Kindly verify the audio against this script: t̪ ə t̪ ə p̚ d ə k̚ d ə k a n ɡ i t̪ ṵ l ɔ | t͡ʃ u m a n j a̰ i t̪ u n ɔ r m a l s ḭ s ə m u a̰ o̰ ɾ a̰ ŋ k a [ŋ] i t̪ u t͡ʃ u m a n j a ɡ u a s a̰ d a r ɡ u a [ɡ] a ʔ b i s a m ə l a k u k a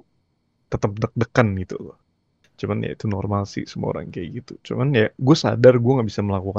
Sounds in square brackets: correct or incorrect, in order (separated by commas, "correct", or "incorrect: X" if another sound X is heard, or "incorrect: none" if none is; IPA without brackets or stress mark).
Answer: incorrect: ɡ, incorrect: ŋ